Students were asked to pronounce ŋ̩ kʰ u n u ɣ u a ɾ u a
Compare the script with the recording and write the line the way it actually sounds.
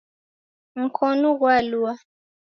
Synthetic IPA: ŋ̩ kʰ ɔ n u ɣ w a l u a